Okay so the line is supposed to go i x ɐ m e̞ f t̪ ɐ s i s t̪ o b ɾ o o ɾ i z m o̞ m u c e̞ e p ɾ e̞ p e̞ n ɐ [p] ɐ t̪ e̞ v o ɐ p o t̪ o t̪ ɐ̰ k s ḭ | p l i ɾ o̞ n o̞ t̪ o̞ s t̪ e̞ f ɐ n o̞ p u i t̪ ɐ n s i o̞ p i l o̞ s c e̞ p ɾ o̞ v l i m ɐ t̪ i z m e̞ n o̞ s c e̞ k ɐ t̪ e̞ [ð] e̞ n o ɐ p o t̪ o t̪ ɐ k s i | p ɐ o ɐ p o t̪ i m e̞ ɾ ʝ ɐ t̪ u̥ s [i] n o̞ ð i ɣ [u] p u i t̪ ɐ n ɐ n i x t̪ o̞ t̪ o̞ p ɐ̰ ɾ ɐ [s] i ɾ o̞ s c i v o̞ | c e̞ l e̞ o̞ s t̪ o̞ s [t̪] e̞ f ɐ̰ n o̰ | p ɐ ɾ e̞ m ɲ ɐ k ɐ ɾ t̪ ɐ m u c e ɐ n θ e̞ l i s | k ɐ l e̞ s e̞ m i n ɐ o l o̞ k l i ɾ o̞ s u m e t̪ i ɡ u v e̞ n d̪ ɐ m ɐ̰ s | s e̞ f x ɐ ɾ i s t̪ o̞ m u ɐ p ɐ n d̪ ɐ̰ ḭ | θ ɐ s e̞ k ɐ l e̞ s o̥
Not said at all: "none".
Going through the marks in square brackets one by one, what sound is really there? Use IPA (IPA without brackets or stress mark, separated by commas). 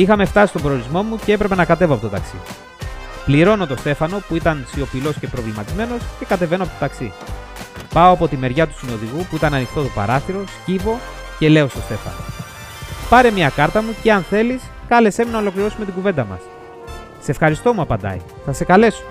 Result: k, v, i, u, θ, t̪